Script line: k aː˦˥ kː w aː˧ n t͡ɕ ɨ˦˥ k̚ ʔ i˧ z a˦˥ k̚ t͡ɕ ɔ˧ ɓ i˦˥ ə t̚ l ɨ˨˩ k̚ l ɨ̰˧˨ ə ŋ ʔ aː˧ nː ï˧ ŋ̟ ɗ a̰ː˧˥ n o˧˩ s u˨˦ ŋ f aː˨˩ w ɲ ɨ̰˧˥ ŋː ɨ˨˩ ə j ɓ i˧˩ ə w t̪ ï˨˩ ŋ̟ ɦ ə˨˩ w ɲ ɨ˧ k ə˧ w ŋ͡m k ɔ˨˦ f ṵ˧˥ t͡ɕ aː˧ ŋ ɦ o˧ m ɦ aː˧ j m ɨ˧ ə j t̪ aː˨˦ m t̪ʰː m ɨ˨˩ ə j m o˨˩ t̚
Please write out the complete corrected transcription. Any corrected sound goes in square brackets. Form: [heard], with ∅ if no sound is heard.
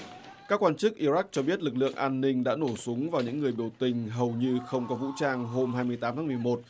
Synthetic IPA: k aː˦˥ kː w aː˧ n t͡ɕ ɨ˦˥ k̚ ʔ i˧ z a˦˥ k̚ t͡ɕ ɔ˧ ɓ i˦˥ ə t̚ l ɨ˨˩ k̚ l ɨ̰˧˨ ə ŋ ʔ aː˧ nː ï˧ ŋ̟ ɗ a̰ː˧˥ n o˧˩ s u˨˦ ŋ [v] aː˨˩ w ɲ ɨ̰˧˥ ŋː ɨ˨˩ ə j ɓ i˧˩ ə w t̪ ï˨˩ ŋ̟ ɦ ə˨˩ w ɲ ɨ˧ [x] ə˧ w ŋ͡m k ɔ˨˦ [v] ṵ˧˥ t͡ɕ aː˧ ŋ ɦ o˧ m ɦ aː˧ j m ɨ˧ ə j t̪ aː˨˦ m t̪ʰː m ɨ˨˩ ə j m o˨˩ t̚